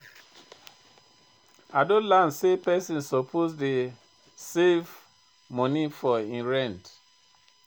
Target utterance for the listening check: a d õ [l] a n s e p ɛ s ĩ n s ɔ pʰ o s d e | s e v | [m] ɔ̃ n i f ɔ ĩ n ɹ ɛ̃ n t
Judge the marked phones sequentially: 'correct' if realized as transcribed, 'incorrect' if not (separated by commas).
correct, correct